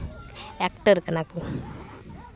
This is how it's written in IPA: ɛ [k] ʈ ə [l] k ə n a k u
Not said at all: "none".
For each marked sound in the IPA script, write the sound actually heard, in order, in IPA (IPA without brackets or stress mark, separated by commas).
k, ɾ